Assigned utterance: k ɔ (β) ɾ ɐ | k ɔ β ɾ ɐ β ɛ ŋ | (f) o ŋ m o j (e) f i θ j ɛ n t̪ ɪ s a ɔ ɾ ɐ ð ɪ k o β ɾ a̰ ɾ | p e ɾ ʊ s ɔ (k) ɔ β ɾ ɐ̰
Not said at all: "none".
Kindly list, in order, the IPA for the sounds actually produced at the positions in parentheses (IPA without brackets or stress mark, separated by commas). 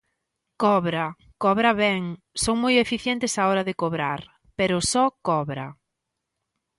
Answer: β, s, e, k